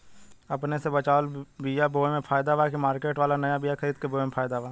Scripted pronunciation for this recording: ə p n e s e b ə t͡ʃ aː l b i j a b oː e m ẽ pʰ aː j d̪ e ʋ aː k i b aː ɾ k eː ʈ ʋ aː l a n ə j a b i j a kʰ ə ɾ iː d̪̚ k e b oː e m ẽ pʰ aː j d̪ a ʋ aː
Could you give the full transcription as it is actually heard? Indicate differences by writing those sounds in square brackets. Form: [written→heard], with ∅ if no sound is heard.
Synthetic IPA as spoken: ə p n e s e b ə t͡ʃ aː l b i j a b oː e m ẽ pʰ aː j d̪ [e→a] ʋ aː k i [b→m] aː ɾ k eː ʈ ʋ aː l a n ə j a b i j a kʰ ə ɾ iː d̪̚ k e b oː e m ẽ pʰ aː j d̪ a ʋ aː